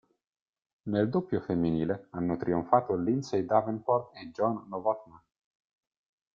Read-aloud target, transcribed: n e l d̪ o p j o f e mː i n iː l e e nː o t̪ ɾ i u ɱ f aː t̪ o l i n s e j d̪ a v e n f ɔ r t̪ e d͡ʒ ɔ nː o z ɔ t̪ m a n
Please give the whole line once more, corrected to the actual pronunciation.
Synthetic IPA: n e l d̪ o p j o f e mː i n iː l e a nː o t̪ ɾ i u ɱ f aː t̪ o l i n s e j d̪ a v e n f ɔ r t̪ e d͡ʒ ɔ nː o v ɔ t̪ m a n